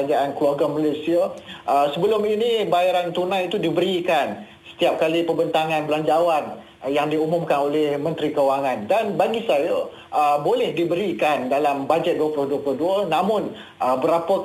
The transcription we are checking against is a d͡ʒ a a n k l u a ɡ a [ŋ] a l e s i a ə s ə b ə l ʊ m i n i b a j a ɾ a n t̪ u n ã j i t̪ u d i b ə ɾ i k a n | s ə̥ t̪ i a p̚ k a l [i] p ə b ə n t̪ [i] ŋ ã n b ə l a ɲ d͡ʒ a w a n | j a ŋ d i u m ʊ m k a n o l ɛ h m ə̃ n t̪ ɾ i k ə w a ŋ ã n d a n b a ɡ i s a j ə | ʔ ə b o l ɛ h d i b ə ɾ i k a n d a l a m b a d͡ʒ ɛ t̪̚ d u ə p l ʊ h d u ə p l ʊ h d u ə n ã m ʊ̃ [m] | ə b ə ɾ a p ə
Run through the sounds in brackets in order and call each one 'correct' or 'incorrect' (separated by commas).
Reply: incorrect, correct, incorrect, incorrect